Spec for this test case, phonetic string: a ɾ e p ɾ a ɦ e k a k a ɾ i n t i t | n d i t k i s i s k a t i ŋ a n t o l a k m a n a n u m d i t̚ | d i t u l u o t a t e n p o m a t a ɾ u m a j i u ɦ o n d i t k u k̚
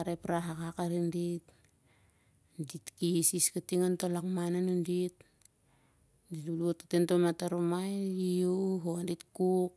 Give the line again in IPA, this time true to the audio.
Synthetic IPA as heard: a ɾ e p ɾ a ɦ a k a k a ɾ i n d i t | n d i t k i s i s k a t i ŋ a n t o l a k m a n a n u n d i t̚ | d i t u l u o t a t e n t o m a t a ɾ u m a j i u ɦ o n d i t k u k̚